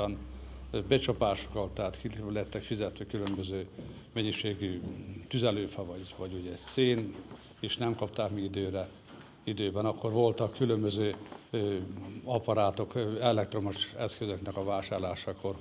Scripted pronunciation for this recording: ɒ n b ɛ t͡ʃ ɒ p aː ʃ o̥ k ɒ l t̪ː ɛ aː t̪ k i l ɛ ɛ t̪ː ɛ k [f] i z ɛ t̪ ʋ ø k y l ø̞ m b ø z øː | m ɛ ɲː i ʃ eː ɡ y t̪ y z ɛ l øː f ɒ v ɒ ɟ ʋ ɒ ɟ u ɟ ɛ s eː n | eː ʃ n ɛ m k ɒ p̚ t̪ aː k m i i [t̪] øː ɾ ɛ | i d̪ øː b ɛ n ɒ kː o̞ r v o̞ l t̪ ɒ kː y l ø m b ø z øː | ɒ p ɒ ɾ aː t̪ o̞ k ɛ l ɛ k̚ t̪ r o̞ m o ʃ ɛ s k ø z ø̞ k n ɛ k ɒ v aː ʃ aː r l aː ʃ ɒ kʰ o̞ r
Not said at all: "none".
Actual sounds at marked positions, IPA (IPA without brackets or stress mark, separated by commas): f, d̪